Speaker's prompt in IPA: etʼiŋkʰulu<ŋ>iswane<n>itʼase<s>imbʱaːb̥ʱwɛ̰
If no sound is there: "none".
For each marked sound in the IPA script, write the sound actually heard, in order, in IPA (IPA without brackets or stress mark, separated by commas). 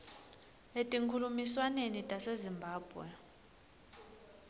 m, n, z